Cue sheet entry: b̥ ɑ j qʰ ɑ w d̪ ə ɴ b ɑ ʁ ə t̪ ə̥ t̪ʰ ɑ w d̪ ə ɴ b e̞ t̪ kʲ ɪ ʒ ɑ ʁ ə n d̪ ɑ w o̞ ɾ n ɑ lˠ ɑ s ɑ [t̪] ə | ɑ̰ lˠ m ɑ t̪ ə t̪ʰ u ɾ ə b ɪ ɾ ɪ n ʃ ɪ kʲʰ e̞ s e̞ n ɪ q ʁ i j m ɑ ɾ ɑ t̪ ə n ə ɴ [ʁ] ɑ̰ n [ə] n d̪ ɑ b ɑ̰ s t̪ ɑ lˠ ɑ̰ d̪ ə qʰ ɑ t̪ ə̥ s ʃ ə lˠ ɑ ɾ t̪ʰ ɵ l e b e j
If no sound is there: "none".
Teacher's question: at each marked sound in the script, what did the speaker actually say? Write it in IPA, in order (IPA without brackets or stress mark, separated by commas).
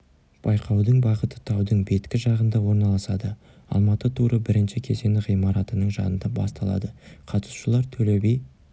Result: d̪, ʒ, ə